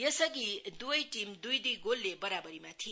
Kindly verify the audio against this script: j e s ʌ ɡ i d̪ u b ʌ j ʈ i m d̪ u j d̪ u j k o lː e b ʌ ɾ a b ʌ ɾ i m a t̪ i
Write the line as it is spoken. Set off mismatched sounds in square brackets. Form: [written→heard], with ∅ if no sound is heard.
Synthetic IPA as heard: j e s ʌ ɡ i d̪ u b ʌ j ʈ i m d̪ u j d̪ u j [k→ɡ] o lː e b ʌ ɾ a b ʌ ɾ i m a [t̪→t̪ʰ] i